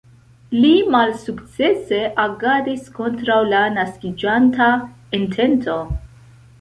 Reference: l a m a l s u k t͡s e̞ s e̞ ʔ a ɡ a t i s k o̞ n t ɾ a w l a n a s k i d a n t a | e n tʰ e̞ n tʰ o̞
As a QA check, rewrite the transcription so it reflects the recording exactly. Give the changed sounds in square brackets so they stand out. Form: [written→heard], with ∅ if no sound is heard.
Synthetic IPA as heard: l [a→i] m a l s u k t͡s e̞ s e̞ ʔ a ɡ a [t→d] i s k o̞ n t ɾ a w l a n a s k i [d→d͡ʒ] a n t a | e n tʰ e̞ n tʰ o̞